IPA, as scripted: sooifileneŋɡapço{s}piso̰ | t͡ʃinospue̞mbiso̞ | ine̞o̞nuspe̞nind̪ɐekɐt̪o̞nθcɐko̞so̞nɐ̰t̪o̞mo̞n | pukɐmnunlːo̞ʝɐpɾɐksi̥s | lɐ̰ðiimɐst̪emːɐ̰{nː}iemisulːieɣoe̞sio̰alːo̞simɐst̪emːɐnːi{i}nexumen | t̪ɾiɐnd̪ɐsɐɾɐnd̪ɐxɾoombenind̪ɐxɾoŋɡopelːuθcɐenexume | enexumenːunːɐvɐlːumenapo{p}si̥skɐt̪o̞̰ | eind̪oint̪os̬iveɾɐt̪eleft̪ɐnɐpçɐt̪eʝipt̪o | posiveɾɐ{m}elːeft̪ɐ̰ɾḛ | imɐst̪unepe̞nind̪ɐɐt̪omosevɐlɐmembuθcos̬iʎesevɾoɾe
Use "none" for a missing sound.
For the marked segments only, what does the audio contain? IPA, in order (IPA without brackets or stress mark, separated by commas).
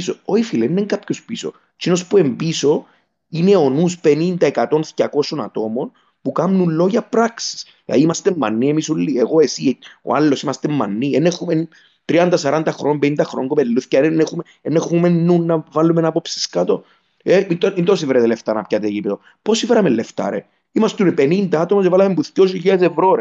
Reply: s, nː, e, p, m